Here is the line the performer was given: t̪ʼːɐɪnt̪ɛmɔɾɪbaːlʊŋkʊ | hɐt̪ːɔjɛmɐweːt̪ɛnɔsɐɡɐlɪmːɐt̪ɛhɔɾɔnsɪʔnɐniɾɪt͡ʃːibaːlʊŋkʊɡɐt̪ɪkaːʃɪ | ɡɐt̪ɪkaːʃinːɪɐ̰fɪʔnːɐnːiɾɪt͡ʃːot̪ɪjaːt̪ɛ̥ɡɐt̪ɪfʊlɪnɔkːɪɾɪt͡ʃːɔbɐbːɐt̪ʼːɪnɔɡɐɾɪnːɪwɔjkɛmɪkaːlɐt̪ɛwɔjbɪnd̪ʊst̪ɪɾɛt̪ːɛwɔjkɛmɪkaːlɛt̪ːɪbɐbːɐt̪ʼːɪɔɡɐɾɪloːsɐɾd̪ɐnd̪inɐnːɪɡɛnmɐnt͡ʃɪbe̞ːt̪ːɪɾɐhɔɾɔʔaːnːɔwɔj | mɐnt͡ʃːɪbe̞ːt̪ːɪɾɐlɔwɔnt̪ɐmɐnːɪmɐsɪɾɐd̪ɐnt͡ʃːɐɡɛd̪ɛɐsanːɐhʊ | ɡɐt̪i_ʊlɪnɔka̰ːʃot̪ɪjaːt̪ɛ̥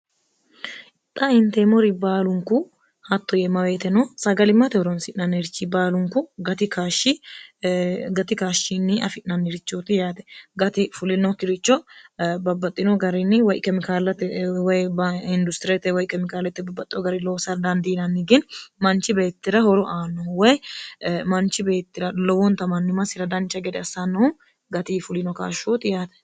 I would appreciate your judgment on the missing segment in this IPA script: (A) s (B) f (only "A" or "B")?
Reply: B